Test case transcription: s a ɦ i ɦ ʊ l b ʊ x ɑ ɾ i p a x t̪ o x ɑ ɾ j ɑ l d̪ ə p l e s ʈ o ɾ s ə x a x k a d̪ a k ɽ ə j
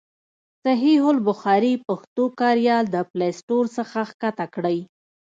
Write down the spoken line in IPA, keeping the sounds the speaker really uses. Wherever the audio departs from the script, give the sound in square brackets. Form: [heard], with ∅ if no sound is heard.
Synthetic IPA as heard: s a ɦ i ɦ ʊ l b ʊ x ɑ ɾ i p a x t̪ o [k] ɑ ɾ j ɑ l d̪ ə p l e s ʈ o ɾ s ə x a x k a [t̪] a k ɽ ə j